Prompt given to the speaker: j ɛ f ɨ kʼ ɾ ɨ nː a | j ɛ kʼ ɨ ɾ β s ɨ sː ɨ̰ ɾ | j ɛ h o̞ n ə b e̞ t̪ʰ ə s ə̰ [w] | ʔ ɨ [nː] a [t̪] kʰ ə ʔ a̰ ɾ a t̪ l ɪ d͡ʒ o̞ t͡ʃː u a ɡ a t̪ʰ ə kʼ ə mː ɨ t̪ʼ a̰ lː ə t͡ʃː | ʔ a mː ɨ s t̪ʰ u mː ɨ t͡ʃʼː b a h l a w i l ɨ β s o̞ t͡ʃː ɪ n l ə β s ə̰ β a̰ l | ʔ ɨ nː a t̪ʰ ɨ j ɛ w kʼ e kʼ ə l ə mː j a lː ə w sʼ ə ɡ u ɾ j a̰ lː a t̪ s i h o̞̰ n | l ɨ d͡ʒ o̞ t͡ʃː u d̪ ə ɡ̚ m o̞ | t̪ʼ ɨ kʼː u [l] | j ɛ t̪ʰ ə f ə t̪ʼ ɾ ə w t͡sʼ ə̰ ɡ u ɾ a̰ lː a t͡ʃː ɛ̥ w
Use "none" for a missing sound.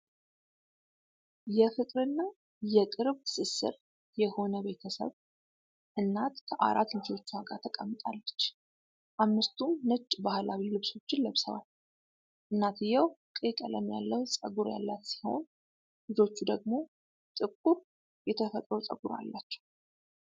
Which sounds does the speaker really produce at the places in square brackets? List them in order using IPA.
β, nː, t̪, ɾ

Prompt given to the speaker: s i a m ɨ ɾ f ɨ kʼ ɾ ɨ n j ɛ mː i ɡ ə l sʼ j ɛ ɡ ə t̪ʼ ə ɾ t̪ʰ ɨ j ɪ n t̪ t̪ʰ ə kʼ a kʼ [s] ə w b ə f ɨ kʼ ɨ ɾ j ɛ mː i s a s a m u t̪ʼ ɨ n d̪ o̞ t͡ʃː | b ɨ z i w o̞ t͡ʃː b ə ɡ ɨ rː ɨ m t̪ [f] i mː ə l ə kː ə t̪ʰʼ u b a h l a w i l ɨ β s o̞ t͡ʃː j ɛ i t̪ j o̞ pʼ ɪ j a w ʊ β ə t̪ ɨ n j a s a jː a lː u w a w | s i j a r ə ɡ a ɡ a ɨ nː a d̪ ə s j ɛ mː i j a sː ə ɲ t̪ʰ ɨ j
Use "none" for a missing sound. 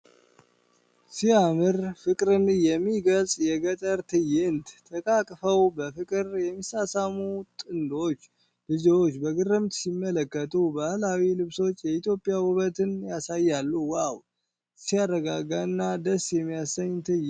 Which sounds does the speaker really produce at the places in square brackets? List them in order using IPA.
f, s

